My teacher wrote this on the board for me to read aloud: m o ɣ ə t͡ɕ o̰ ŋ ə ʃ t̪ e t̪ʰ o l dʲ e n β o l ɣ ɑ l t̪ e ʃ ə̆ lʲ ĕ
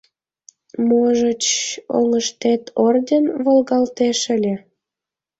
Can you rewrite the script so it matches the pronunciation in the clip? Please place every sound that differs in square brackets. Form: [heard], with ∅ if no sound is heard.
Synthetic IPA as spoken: m o [ʒ] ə t͡ɕ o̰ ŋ ə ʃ t̪ e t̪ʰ o [r] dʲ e n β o l ɣ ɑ l t̪ e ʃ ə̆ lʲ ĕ